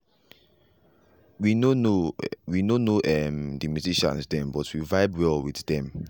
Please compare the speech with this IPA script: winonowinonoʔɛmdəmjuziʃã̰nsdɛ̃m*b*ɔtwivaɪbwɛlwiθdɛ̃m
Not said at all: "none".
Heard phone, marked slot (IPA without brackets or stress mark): b